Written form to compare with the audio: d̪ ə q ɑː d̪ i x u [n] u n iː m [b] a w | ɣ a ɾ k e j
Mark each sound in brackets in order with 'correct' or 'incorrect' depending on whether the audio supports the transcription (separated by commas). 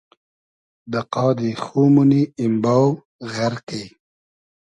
incorrect, correct